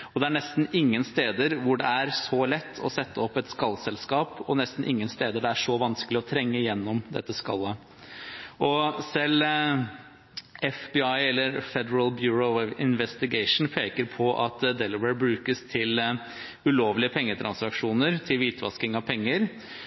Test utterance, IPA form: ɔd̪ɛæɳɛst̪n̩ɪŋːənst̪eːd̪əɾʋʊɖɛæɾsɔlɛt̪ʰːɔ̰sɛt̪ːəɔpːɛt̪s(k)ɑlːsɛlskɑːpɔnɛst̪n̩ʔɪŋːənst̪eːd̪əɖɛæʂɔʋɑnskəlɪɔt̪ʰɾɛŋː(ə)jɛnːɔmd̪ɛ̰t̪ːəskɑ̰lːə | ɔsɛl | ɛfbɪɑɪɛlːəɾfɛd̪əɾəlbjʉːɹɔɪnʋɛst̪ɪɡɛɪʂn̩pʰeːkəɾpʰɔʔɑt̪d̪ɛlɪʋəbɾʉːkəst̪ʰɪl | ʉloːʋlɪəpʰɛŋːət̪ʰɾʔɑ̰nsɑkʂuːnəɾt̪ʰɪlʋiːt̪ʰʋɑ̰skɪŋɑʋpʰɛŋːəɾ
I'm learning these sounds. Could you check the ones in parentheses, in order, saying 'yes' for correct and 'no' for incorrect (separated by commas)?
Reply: yes, yes